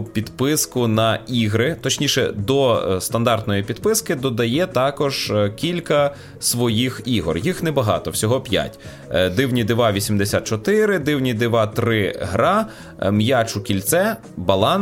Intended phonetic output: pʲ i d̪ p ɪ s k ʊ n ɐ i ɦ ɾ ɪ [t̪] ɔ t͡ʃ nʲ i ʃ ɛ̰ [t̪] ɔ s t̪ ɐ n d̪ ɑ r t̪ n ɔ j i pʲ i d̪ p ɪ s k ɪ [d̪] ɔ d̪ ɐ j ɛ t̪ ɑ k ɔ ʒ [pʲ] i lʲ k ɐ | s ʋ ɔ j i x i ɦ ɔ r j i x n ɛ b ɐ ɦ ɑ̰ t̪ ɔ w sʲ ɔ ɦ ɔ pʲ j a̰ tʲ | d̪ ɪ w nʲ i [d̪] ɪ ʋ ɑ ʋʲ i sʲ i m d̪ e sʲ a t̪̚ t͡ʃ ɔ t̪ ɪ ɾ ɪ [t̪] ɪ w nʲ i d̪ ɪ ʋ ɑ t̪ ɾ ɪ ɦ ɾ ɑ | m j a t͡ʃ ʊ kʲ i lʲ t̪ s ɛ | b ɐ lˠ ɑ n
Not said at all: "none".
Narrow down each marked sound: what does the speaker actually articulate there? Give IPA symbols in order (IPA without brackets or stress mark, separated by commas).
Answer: t̪, d̪, d̪, kʲ, d̪, d̪